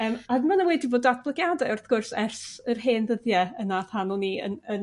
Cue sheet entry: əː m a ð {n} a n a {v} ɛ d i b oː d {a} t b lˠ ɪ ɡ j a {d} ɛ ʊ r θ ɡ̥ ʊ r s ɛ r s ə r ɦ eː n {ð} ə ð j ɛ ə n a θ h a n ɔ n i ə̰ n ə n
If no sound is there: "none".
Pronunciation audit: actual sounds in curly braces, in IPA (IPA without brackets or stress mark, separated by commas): m, w, a, d, ð